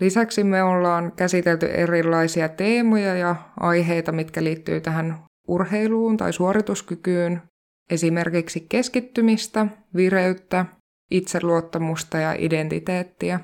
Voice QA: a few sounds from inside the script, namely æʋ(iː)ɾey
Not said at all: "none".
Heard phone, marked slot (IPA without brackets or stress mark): i